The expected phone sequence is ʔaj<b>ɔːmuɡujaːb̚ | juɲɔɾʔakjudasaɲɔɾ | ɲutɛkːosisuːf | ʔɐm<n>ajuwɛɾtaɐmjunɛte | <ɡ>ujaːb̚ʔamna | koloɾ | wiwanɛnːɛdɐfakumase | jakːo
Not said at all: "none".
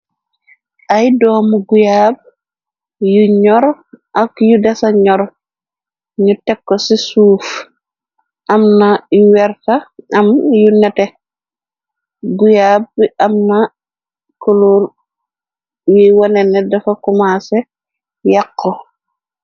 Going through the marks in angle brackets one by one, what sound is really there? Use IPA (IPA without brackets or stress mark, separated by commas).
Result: d, n, ɡ